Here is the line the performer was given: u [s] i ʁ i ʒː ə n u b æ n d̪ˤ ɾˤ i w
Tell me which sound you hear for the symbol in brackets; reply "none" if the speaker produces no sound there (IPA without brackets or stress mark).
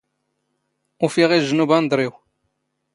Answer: f